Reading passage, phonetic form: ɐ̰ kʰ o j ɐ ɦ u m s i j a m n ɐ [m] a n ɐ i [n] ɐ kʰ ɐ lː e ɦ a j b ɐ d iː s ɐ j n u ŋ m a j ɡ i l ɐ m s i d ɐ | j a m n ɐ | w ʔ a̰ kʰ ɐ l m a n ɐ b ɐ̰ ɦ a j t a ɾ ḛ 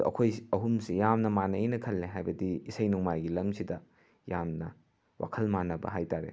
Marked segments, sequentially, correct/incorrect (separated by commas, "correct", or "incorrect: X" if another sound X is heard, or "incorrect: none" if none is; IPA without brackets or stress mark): correct, correct